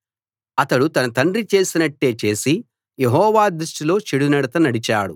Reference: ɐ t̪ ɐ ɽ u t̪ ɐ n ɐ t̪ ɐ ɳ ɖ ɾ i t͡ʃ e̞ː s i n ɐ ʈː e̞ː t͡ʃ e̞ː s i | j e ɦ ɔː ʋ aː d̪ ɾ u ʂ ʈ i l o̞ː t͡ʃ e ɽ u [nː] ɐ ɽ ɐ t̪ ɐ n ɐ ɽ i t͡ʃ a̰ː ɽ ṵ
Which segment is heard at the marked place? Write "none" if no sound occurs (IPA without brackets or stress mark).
n